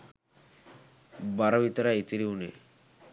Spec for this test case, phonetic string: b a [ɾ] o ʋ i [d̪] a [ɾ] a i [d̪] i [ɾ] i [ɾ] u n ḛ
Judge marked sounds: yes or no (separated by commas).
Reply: yes, no, yes, no, yes, no